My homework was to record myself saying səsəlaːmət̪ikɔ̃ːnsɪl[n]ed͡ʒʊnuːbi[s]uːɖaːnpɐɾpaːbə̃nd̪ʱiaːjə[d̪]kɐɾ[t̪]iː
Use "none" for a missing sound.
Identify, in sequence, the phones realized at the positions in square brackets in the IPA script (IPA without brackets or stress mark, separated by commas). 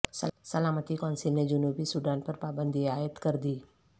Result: n, s, t̪, d̪